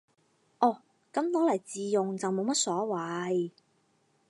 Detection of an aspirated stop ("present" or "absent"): absent